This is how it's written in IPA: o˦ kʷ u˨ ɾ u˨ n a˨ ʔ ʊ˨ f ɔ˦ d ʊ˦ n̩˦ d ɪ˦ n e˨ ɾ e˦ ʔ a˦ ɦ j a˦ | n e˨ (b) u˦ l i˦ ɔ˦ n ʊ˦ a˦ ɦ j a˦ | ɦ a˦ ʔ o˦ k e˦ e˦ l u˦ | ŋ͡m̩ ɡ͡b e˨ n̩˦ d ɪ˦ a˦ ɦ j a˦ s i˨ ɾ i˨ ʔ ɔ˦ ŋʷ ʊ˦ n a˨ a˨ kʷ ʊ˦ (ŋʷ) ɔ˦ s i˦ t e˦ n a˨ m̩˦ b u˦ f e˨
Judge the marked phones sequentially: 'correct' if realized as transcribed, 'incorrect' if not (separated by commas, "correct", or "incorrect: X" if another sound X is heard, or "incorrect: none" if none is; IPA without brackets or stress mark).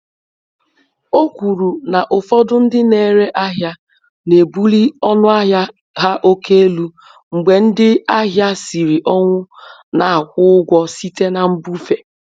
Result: correct, incorrect: ɡʷ